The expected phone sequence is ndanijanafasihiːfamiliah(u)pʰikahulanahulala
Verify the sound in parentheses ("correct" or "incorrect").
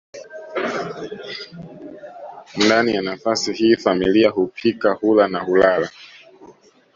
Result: correct